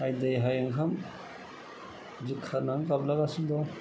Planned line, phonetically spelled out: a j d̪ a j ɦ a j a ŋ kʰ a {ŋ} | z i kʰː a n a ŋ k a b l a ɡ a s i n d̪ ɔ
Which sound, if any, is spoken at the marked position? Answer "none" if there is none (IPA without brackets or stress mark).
m